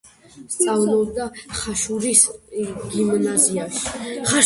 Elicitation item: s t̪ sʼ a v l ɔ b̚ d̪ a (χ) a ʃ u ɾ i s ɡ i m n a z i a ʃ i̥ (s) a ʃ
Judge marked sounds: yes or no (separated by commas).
yes, no